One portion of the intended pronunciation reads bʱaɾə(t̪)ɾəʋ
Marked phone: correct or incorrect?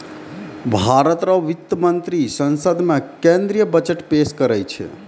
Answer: correct